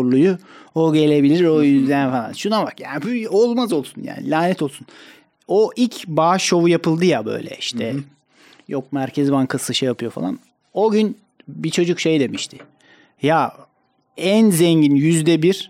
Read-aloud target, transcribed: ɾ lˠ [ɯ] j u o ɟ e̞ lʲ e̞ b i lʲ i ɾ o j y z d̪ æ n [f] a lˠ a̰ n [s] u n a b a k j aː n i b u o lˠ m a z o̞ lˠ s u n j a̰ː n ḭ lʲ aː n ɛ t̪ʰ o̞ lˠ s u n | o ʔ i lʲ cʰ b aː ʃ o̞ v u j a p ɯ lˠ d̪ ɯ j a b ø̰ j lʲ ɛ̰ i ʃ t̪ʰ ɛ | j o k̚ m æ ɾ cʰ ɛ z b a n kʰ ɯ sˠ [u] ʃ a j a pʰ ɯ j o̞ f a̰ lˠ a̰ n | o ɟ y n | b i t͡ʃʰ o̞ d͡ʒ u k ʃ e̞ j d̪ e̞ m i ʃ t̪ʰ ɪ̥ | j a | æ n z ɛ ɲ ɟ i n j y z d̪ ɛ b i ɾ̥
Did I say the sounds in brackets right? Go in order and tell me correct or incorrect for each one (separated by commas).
incorrect, correct, incorrect, incorrect